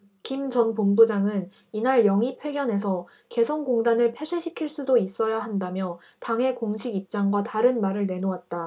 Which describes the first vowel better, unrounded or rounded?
unrounded